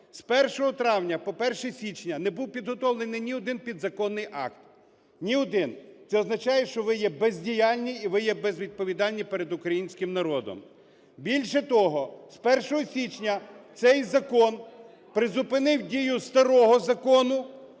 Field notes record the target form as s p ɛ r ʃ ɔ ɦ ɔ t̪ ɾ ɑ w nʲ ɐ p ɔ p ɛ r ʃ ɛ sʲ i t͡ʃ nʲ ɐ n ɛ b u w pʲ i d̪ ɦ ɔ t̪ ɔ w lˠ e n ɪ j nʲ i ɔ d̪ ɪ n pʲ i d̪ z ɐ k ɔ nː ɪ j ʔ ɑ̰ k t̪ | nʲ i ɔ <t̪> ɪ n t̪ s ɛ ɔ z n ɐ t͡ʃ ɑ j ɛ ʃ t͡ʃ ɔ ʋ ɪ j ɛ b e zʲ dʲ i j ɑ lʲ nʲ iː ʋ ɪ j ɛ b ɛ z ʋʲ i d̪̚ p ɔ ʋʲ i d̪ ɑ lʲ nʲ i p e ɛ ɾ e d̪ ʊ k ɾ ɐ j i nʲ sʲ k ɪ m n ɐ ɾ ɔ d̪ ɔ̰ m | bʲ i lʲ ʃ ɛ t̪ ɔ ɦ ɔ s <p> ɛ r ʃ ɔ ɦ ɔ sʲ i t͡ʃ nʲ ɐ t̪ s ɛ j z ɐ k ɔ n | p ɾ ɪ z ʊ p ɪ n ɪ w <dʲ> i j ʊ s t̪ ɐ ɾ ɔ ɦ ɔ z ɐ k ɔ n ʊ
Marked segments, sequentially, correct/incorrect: incorrect, correct, correct

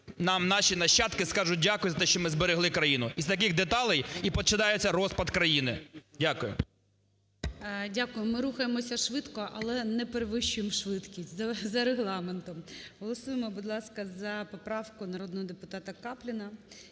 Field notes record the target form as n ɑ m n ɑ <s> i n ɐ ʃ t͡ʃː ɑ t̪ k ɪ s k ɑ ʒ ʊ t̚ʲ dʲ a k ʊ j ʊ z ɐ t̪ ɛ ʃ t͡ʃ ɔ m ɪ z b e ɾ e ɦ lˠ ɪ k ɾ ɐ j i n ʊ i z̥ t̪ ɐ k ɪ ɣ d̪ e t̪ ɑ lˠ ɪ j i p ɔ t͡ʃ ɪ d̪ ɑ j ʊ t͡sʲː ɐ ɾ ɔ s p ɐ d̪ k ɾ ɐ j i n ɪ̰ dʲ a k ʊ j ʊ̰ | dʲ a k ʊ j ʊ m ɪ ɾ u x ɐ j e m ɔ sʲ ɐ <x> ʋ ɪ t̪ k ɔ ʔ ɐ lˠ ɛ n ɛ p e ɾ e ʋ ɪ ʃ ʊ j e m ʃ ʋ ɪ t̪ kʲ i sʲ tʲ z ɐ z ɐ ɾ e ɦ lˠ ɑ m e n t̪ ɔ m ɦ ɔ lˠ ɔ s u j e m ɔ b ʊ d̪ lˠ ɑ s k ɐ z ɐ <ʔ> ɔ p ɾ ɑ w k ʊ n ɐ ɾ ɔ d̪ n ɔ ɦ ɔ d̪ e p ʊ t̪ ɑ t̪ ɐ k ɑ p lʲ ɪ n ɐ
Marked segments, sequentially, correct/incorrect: incorrect, incorrect, incorrect

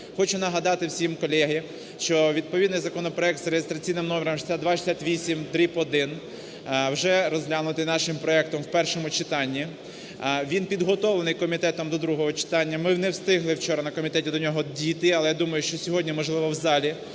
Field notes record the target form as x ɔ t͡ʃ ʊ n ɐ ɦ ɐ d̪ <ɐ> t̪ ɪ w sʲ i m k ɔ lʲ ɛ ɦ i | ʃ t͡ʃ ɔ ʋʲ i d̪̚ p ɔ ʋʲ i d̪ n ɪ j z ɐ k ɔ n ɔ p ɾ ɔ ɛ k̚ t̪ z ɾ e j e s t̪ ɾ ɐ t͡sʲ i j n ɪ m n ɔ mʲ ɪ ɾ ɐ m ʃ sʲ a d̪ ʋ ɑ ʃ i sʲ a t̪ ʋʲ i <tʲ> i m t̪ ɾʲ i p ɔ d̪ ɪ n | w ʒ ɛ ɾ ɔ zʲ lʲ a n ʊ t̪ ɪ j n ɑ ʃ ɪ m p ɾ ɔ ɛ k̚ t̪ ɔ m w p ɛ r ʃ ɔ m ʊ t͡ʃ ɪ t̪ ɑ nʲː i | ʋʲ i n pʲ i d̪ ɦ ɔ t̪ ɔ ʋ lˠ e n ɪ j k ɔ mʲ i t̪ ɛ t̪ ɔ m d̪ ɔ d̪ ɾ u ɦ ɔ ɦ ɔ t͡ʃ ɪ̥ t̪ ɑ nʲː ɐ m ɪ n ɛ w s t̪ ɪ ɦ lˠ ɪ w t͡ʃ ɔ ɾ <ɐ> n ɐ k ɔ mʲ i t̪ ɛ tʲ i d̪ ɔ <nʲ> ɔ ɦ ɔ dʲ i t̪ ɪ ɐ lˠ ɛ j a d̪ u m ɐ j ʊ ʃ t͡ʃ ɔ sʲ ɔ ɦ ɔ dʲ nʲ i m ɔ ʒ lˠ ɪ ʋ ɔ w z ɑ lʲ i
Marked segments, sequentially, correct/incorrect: incorrect, incorrect, correct, correct

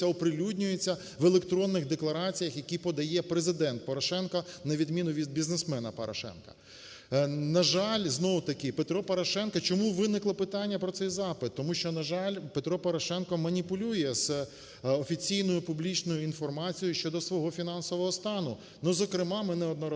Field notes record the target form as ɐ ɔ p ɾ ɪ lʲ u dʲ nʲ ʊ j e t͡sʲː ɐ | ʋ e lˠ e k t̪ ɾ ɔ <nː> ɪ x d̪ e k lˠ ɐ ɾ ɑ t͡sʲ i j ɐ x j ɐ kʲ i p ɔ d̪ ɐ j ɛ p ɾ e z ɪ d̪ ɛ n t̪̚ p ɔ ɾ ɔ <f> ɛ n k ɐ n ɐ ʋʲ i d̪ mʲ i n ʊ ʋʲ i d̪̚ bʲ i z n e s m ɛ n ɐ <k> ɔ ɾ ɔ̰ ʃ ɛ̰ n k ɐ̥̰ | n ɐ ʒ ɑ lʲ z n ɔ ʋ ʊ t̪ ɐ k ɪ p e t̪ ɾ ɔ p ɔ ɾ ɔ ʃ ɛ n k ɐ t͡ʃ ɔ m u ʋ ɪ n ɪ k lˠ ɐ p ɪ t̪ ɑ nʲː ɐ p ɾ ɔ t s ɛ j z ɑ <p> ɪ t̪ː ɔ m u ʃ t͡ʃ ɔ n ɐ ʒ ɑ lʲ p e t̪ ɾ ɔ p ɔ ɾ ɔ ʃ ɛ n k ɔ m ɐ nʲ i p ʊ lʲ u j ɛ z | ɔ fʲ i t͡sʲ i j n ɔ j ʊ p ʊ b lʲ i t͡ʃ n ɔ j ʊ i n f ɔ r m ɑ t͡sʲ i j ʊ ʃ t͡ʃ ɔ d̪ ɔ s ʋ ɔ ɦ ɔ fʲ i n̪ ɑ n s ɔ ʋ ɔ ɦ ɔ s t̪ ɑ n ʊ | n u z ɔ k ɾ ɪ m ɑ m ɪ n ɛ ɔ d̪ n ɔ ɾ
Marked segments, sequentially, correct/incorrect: correct, incorrect, incorrect, correct

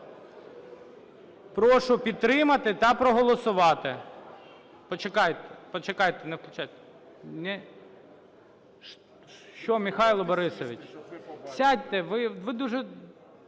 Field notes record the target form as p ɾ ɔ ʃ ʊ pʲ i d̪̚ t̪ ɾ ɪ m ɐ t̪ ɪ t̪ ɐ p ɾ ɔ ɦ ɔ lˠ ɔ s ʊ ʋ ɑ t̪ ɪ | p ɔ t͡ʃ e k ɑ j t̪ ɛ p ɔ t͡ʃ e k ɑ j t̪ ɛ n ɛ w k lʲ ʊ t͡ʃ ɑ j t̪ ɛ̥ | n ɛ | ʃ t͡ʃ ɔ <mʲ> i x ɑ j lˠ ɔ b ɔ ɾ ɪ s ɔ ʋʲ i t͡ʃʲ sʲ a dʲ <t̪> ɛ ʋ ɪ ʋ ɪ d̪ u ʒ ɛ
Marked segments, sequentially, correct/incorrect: correct, correct

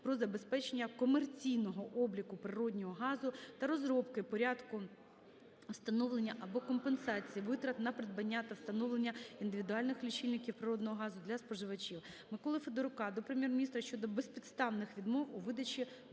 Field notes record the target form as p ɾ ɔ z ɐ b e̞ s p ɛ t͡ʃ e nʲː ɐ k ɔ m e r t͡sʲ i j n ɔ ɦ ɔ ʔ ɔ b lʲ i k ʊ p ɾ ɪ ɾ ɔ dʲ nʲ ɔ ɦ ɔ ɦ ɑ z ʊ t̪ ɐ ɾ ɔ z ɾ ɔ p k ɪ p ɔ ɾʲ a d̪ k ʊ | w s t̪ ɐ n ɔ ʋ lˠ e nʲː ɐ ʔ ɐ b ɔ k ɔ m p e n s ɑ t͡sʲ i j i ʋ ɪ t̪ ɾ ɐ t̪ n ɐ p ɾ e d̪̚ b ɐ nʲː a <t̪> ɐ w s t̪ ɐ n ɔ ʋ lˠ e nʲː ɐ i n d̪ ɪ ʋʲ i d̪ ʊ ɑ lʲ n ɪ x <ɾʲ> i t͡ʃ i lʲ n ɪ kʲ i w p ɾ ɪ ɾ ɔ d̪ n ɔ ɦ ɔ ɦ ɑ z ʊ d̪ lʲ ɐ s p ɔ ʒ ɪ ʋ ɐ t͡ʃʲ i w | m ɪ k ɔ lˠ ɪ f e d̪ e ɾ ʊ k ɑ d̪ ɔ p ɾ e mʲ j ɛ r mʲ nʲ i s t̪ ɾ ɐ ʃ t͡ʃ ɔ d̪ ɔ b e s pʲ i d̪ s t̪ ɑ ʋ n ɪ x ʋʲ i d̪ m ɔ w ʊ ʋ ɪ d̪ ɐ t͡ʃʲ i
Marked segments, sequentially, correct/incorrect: correct, incorrect

